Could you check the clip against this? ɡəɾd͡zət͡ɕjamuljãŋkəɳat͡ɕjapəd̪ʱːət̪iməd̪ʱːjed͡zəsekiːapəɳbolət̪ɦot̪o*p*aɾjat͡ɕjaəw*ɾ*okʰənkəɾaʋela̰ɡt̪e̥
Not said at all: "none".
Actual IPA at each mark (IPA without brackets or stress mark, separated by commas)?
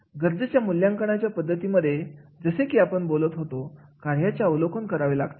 k, l